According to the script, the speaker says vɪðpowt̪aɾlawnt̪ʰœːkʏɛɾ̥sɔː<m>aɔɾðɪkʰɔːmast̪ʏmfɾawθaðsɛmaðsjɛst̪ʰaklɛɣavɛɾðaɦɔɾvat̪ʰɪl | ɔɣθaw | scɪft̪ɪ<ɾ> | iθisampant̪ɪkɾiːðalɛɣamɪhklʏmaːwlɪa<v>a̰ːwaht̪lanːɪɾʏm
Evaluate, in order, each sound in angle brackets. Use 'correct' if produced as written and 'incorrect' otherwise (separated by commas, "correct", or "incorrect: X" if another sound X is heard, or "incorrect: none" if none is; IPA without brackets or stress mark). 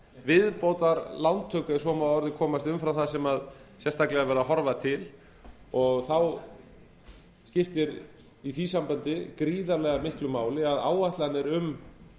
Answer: correct, correct, incorrect: ð